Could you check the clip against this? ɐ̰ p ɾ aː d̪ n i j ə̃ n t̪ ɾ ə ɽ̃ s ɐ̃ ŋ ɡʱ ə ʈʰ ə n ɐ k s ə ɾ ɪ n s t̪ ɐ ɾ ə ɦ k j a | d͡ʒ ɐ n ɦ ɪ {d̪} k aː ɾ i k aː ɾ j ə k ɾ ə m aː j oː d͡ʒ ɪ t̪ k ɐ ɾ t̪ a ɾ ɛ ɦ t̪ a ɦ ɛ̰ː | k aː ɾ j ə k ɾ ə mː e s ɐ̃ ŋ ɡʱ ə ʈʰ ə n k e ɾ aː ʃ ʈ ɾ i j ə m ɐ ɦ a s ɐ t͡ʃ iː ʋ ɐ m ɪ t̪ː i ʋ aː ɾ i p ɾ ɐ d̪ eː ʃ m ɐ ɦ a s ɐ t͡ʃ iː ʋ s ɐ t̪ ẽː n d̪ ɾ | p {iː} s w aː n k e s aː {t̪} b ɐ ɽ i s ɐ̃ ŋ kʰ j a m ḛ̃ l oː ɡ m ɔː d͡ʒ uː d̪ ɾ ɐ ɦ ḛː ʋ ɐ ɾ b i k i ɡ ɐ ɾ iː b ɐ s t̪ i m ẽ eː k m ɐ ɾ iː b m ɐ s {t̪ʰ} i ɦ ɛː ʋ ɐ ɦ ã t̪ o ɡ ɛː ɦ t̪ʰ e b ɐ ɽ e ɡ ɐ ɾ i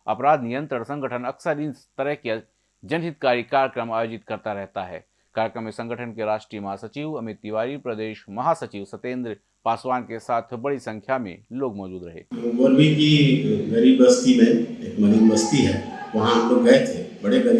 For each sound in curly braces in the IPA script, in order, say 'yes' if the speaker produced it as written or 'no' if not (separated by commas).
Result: no, no, no, no